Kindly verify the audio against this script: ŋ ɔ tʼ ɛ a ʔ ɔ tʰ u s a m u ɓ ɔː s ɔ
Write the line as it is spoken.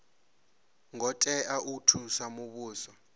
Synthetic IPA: ŋ ɔ tʼ ɛ a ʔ u tʰ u s a m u ɓ uː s ɔ